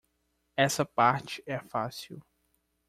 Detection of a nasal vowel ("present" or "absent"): absent